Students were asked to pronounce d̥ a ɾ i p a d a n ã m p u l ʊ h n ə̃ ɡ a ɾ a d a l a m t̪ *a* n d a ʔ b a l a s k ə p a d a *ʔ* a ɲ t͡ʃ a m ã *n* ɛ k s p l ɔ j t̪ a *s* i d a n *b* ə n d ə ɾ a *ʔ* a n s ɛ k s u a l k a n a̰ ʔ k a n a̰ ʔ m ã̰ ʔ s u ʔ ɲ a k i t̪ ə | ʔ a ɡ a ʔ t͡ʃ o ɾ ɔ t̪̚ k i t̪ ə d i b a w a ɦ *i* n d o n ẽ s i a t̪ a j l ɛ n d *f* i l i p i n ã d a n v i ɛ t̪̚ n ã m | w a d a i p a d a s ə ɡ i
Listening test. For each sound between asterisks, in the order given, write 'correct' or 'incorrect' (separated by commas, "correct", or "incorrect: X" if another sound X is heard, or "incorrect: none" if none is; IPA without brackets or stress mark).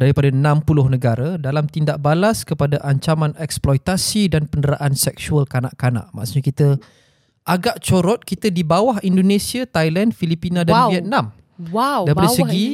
incorrect: i, correct, correct, correct, incorrect: p, correct, correct, correct